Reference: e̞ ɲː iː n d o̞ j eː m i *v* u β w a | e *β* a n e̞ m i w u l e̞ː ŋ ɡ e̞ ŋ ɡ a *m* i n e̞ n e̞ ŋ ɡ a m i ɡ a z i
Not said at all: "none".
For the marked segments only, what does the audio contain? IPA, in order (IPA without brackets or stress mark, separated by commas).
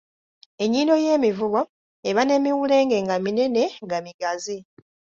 v, β, m